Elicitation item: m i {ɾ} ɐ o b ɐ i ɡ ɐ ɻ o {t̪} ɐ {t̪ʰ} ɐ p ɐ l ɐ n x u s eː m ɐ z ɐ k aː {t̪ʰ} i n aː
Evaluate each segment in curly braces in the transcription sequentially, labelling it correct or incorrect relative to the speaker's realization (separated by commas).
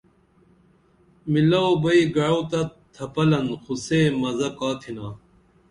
incorrect, correct, correct, correct